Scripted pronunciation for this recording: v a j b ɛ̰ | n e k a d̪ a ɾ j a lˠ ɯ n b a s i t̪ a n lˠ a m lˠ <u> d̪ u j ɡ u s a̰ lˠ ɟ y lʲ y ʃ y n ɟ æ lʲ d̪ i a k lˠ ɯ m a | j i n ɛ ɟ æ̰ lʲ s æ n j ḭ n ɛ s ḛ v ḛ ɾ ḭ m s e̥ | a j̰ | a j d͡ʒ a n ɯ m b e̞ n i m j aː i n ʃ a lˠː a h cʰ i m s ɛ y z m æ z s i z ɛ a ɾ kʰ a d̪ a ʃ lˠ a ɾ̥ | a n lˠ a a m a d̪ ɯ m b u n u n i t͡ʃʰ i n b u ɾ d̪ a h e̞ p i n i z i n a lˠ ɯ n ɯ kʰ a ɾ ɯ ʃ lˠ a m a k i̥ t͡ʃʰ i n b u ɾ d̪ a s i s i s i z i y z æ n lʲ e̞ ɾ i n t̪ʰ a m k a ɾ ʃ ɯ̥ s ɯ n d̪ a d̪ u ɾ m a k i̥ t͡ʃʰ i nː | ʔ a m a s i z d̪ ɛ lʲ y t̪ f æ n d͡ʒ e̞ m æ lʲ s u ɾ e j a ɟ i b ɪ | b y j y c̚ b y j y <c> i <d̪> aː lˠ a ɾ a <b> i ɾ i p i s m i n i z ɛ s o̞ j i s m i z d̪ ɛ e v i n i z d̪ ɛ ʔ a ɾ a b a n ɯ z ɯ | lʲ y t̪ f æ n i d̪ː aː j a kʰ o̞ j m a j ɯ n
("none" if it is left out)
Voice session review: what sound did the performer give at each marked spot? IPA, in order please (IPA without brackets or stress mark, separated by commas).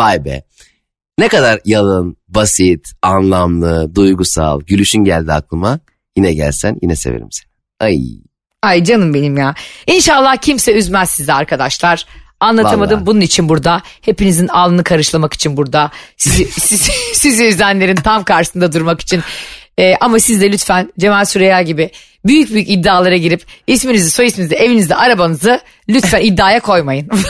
ɯ, c, d̪ː, ɟ